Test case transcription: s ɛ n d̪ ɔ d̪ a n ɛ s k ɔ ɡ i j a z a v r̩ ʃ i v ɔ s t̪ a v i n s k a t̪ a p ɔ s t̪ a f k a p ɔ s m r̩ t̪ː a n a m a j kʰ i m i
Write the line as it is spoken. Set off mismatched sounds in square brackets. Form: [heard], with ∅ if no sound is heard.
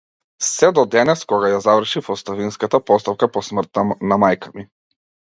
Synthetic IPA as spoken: s ɛ [∅] d̪ ɔ d̪ [ɛ] n ɛ s k ɔ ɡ [a] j a z a v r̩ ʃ i [f] ɔ s t̪ a v i n s k a t̪ a p ɔ s t̪ a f k a p ɔ s m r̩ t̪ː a n a m a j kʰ [a] m i